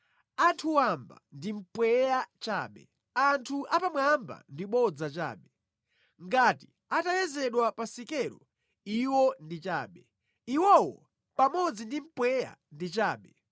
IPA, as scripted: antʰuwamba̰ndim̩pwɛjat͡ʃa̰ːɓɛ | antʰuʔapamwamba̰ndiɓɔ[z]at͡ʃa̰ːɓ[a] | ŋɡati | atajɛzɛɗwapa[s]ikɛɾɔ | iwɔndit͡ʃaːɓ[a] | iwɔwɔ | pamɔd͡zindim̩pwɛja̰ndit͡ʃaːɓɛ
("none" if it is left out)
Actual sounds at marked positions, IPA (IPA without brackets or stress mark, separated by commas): d͡z, ɛ, s, ɛ